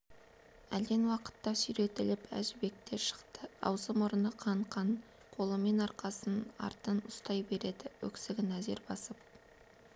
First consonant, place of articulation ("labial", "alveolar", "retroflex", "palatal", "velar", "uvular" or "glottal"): alveolar